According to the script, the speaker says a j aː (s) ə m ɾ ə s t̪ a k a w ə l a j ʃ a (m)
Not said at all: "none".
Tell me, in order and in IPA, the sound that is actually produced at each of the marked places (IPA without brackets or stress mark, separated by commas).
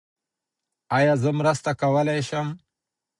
z, m